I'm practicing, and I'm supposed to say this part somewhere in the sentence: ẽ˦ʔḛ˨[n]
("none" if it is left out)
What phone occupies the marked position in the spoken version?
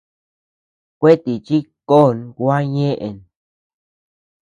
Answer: n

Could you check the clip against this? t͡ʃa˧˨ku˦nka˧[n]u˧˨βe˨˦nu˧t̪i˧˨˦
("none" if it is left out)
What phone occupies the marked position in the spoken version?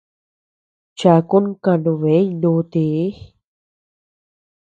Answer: n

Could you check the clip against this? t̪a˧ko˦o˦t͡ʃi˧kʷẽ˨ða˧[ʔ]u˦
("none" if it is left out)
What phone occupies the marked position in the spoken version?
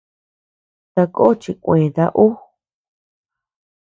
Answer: ʔ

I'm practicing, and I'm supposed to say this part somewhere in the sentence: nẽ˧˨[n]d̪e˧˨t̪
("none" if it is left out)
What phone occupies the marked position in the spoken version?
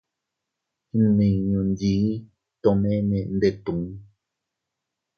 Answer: n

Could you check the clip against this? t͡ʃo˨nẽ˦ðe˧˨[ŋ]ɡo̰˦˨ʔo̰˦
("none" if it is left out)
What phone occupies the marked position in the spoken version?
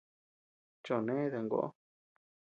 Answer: ŋ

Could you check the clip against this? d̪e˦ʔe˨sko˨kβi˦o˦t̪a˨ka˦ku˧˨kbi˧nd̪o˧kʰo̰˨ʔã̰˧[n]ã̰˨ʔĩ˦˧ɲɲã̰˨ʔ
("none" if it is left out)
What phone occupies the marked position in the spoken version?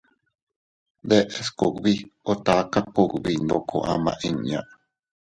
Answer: m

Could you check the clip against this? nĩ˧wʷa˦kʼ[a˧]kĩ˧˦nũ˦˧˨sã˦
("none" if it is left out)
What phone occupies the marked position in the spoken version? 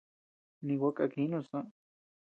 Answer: a˧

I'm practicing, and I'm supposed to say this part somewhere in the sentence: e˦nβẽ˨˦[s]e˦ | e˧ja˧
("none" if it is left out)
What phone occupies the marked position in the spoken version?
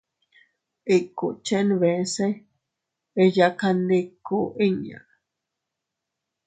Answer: s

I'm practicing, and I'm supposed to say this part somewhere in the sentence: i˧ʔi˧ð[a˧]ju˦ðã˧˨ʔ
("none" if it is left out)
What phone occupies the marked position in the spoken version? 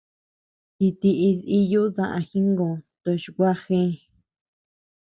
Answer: i˧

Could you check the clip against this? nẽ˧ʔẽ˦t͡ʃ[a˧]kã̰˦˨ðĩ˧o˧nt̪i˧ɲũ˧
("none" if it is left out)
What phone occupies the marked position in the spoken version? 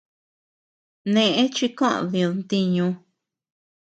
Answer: i˧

